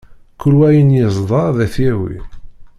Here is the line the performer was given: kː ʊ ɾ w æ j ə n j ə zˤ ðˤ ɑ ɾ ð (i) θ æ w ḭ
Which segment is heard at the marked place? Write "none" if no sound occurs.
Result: æ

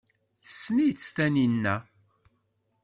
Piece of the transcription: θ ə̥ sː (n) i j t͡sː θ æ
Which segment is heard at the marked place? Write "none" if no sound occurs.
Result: n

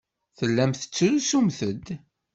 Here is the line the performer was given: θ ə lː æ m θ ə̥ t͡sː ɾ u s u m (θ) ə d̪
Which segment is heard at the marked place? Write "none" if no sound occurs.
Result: θ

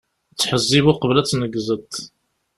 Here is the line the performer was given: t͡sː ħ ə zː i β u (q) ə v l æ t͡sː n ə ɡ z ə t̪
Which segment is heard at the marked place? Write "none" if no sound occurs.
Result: q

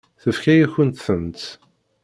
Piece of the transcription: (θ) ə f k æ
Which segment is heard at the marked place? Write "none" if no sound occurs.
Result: θ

